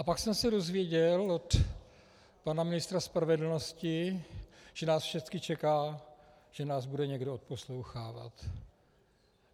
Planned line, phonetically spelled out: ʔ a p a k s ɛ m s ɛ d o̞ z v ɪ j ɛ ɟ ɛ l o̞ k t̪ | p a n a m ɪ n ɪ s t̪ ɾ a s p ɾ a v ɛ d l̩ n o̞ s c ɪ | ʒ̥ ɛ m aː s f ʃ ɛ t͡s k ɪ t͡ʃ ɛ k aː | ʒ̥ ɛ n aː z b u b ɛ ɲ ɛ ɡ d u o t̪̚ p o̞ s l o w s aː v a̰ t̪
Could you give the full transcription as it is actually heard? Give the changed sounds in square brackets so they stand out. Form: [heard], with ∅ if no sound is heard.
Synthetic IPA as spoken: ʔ a p a k s ɛ m s ɛ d o̞ z v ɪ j ɛ ɟ ɛ l o̞ [∅] t̪ | p a n a m ɪ n ɪ s t̪ ɾ a s p ɾ a v ɛ d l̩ n o̞ s c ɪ | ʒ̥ ɛ [n] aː s f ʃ ɛ t͡s k ɪ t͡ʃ ɛ k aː | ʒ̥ ɛ n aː z b u [d] ɛ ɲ ɛ ɡ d [o] o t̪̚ p o̞ s l o w [x] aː v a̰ t̪